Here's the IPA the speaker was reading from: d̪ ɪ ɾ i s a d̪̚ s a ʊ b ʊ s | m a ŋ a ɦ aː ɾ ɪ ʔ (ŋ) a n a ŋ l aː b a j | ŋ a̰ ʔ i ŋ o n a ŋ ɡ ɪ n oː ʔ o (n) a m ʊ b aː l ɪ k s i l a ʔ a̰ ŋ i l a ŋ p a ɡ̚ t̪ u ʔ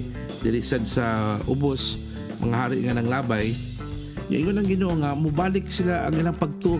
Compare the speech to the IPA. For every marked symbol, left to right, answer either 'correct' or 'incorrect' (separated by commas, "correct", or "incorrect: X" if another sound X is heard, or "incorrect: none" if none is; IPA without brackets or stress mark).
correct, incorrect: ŋ